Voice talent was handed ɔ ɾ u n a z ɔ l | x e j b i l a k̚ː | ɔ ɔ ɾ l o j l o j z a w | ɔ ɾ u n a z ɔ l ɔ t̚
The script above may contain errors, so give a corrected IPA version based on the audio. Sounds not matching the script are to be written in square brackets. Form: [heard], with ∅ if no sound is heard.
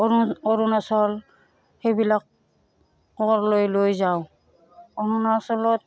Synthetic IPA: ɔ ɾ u n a [s] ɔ l | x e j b i l a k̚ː | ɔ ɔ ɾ l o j l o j z a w | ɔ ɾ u n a [s] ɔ l ɔ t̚